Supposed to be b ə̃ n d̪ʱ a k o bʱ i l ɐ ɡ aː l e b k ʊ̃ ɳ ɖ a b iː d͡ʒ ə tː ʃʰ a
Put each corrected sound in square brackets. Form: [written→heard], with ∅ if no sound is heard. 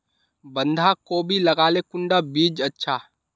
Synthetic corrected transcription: b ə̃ n d̪ʱ a k o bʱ i l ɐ ɡ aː l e [b→∅] k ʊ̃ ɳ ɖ a b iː d͡ʒ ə tː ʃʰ a